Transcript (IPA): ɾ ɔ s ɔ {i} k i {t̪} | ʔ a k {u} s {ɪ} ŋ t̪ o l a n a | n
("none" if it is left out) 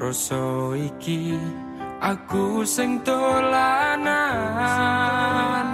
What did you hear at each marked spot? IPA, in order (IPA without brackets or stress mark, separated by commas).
i, none, u, ɪ